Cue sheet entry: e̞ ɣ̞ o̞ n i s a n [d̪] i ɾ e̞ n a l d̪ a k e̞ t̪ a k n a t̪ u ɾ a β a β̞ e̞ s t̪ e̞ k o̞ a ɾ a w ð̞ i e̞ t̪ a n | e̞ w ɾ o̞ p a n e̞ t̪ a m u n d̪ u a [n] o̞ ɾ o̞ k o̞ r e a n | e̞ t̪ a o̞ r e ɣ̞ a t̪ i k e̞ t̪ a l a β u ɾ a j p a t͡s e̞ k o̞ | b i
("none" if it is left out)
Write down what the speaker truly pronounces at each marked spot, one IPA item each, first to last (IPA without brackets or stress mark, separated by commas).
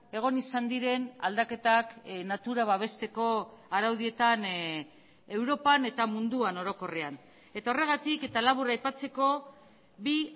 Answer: d̪, n